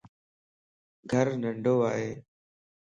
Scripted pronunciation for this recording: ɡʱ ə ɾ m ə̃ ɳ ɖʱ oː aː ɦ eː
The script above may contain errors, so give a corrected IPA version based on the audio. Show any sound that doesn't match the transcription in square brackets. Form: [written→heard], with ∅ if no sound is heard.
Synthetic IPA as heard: ɡʱ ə ɾ [m→n] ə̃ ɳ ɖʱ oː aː ɦ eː